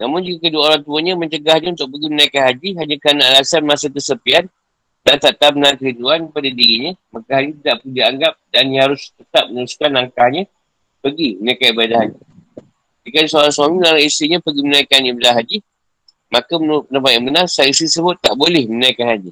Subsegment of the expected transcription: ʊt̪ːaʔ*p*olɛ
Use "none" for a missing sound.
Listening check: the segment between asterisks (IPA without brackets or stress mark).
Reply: b